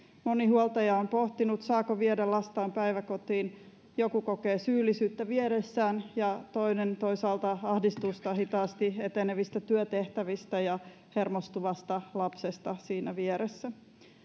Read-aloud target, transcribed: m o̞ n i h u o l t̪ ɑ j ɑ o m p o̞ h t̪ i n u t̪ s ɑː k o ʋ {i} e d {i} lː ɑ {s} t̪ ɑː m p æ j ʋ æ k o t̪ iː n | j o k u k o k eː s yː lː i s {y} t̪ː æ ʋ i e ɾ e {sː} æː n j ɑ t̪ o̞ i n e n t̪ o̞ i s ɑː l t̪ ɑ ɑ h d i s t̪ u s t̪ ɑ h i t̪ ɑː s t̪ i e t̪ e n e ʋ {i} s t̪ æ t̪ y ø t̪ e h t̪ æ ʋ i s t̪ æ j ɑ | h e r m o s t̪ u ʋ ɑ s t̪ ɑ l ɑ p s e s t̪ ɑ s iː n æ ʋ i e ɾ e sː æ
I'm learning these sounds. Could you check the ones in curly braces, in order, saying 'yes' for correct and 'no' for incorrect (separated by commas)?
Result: yes, no, yes, no, yes, yes